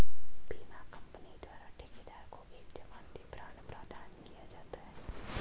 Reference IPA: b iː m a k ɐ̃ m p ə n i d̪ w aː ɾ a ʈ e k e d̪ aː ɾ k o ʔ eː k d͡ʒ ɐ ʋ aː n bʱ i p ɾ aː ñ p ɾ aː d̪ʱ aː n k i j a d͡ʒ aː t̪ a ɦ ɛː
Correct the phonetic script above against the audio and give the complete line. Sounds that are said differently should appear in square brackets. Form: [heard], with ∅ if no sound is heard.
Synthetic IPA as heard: b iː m a k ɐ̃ m p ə n i d̪ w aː ɾ a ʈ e k e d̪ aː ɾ k o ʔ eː k d͡ʒ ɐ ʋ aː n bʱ i p ɾ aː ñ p ɾ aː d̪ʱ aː n k i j a d͡ʒ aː t̪ a ɦ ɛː